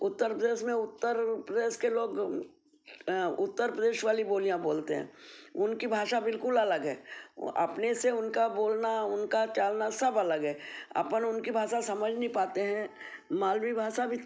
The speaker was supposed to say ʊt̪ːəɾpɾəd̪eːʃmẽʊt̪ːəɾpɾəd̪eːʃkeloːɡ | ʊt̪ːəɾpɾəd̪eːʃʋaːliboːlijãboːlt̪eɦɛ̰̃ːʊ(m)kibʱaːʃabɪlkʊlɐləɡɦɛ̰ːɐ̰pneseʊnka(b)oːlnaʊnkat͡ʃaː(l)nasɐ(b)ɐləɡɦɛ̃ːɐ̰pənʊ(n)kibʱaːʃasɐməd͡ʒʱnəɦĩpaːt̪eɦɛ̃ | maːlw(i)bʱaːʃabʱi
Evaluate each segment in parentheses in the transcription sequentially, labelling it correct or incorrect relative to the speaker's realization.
incorrect: n, correct, correct, correct, correct, correct

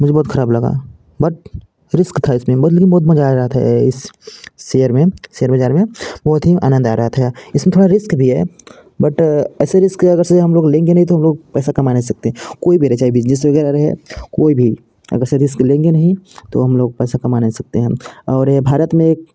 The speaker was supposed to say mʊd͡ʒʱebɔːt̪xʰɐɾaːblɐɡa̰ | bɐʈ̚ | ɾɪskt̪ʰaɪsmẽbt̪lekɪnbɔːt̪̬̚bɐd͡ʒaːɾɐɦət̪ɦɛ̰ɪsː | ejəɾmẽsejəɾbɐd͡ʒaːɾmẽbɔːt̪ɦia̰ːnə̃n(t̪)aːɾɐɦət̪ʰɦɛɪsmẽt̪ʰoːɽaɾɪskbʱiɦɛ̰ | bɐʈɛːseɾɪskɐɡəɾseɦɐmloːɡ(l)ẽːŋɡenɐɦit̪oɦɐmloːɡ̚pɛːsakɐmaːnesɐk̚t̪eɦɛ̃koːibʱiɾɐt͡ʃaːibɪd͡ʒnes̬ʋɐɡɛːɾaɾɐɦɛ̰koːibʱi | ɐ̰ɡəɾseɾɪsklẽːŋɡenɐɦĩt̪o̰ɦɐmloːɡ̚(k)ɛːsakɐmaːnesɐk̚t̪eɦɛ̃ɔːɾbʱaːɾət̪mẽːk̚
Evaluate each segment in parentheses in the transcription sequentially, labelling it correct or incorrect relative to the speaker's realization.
incorrect: d̪, correct, incorrect: p

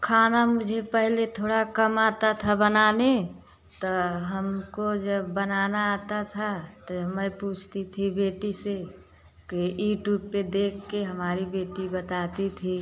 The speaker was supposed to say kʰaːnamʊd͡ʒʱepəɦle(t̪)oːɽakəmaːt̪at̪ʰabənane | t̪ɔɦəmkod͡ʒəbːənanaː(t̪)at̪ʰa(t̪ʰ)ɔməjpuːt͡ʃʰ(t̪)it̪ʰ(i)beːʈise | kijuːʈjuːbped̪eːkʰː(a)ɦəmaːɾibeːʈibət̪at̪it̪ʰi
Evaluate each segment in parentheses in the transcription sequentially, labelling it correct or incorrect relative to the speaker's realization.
incorrect: t̪ʰ, correct, incorrect: t̪, correct, correct, incorrect: e

